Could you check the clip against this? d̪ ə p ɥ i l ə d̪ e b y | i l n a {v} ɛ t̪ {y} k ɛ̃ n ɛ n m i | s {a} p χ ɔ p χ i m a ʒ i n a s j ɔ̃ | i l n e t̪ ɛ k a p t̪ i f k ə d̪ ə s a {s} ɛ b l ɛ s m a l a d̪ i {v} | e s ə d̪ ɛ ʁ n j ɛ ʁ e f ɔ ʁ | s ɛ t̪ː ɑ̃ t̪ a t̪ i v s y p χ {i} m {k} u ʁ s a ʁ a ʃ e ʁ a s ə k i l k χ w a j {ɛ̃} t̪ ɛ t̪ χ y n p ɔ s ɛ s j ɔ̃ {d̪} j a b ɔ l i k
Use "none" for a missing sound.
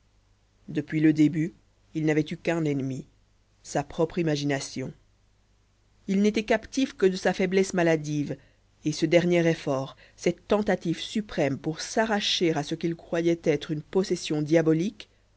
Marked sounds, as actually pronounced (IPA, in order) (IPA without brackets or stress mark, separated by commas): v, y, a, f, v, ɛ, p, ɛ, d̪